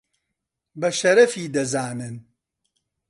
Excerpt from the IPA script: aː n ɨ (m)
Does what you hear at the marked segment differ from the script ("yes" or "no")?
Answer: yes